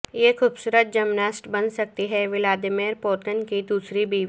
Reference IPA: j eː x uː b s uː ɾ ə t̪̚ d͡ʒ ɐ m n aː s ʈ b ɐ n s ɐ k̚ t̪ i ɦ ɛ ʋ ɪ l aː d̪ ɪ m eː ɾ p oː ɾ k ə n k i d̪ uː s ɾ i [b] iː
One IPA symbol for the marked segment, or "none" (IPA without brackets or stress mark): b